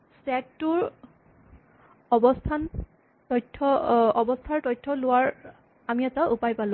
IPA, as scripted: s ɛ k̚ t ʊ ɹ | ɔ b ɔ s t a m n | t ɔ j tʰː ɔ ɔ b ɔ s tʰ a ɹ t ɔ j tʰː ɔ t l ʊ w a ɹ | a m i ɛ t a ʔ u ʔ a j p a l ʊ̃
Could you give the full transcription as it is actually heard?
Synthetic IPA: s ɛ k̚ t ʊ ɹ | ɔ b ɔ s tʰ a n | t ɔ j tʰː ɔ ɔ b ɔ s tʰ a ɹ t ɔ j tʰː ɔ l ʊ w a ɹ | a m i ɛ t a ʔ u p a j p a l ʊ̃